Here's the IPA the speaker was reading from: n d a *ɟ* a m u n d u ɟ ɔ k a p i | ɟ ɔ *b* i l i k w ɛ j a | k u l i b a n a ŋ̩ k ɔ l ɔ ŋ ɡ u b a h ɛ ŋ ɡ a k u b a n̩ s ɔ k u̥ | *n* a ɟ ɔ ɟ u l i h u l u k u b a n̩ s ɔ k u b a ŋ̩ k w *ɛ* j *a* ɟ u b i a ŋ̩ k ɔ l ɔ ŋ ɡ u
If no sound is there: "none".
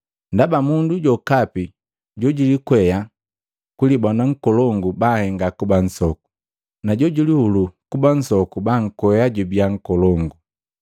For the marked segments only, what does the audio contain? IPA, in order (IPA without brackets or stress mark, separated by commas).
b, ɟ, n, ɛ, a